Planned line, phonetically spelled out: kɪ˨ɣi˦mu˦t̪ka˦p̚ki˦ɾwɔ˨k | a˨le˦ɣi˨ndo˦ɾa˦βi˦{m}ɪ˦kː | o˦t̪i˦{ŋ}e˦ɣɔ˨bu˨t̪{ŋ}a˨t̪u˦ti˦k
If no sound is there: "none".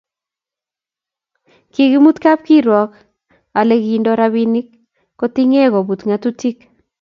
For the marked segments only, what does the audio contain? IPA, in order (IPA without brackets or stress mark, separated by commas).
n, ŋ, ŋ